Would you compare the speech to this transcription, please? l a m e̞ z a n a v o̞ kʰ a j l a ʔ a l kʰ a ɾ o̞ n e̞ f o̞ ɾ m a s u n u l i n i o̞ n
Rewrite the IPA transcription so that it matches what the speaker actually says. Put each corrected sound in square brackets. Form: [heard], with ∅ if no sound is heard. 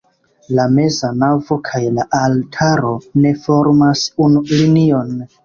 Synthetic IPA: l a m e̞ z a n a v o̞ kʰ a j l a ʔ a l [tʰ] a ɾ o̞ n e̞ f o̞ ɾ m a s u n u l i n i o̞ n